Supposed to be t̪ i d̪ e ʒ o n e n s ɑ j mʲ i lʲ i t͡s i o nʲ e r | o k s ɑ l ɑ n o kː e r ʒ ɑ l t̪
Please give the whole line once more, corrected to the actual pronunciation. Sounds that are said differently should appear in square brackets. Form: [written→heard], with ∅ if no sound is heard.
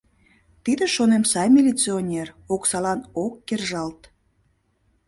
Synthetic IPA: t̪ i d̪ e [ʒ→ʃ] o n e [n→m] s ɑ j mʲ i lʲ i t͡s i o nʲ e r | o k s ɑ l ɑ n o kː e r ʒ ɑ l t̪